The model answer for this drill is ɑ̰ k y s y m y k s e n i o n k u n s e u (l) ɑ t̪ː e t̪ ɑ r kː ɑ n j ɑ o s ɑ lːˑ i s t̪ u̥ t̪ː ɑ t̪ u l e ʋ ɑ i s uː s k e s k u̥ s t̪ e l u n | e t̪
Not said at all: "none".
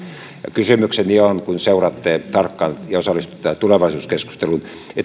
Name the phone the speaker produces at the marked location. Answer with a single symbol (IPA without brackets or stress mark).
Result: r